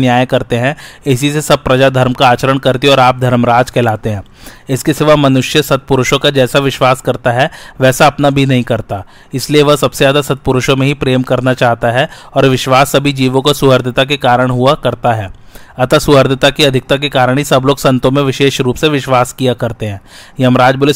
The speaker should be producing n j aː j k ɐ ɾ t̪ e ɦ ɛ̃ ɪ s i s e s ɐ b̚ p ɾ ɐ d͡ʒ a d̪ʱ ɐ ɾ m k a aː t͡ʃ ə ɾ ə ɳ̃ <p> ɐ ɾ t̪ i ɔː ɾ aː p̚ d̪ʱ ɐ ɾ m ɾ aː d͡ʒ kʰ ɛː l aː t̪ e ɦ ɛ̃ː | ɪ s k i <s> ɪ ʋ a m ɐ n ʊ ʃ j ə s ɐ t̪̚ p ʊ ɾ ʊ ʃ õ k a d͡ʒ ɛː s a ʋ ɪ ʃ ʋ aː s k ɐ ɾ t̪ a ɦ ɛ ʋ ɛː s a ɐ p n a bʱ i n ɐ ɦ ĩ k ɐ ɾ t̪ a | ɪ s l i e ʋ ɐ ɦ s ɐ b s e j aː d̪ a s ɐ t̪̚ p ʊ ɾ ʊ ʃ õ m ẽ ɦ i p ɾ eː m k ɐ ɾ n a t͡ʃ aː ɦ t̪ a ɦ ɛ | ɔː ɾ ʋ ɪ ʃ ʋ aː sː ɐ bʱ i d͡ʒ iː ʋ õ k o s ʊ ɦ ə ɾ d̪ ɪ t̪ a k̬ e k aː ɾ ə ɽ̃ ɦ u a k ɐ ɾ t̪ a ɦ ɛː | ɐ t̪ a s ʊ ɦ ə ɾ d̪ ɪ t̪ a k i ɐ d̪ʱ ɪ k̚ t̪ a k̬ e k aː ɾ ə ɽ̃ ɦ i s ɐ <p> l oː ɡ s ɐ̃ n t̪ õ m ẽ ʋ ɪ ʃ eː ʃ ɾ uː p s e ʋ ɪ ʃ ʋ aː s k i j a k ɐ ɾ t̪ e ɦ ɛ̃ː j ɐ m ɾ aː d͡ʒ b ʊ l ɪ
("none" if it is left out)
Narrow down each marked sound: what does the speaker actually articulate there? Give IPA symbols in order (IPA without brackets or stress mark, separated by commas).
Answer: k, s, b